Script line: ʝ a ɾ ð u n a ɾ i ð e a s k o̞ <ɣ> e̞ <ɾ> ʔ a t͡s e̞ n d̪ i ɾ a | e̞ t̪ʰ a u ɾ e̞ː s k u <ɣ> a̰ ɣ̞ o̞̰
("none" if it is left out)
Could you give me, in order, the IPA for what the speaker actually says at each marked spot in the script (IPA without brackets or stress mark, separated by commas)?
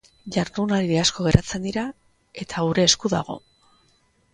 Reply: ɣ, ɾ, ð